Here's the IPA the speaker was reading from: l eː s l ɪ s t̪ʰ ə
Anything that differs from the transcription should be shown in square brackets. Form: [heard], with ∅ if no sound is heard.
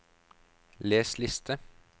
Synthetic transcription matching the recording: l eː s l ɪ s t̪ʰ ə